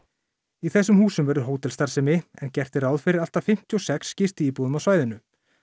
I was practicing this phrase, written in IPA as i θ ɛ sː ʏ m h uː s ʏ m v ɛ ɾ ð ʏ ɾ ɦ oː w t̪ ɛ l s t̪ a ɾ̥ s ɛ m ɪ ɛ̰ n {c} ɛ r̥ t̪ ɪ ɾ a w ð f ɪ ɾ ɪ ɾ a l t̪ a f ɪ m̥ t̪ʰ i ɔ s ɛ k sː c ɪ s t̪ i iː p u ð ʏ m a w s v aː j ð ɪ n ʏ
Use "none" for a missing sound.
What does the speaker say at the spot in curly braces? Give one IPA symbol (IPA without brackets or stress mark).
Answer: c